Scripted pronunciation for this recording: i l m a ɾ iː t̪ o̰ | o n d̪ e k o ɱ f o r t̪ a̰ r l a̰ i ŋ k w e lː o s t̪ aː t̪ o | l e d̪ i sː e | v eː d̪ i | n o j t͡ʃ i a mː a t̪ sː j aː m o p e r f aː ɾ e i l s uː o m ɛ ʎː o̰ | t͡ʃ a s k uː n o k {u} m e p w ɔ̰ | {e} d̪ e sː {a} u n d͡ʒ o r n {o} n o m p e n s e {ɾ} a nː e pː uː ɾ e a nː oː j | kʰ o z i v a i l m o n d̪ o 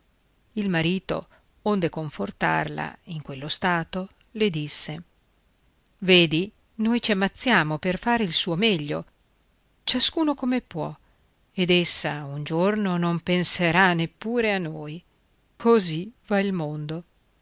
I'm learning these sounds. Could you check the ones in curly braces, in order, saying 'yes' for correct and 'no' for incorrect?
no, yes, yes, yes, yes

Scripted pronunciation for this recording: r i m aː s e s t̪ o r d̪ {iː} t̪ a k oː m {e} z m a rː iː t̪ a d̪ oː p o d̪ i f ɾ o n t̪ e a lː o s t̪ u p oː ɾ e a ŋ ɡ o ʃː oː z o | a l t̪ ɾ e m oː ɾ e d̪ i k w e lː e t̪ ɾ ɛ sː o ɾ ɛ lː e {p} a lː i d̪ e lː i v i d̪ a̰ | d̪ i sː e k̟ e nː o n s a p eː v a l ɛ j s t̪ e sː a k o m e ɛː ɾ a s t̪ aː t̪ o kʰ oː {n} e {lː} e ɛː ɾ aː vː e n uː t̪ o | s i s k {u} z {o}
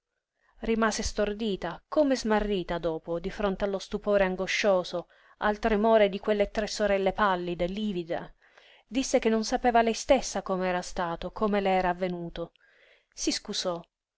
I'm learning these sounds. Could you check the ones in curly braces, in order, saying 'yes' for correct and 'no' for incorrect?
yes, yes, yes, no, no, yes, no

